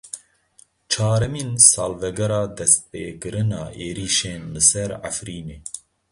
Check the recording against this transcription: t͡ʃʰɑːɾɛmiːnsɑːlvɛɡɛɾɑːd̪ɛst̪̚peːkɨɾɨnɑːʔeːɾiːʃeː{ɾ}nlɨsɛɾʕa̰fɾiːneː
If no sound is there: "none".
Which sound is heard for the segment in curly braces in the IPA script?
none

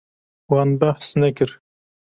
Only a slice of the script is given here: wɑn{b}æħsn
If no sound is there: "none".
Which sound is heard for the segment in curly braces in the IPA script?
b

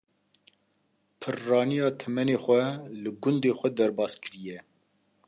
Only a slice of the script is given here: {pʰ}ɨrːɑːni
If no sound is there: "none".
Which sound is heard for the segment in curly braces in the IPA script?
pʰ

